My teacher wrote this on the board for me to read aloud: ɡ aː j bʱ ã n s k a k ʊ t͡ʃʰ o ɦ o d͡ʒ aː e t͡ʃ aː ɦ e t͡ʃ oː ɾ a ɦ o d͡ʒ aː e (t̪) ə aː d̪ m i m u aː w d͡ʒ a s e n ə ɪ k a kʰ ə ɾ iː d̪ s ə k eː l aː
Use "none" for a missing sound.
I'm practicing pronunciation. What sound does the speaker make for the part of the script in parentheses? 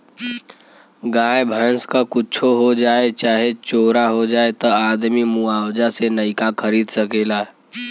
t̪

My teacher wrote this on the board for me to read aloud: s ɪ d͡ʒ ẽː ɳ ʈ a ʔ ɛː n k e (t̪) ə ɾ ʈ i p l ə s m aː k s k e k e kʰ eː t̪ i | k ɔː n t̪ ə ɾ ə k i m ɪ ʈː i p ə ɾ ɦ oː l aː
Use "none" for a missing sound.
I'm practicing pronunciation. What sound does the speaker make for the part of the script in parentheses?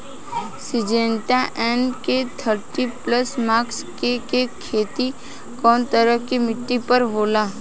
t̪ʰ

